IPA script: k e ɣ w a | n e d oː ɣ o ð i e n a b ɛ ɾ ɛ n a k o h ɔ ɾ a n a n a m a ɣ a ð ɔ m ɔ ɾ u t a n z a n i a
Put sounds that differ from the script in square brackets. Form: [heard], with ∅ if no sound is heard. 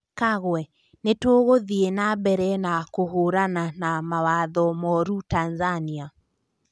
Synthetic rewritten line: k [a] ɣ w [ɛ] | n e [t] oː ɣ o ð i e n a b ɛ ɾ ɛ n a k o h [o] ɾ a n a n a m a [w] a ð ɔ m ɔ ɾ u t a n z a n i a